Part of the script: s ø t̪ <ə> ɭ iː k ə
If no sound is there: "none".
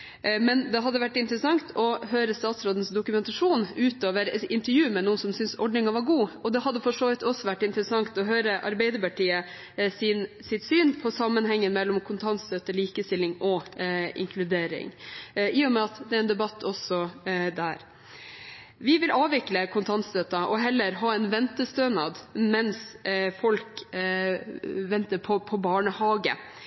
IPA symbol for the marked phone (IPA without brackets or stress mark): ə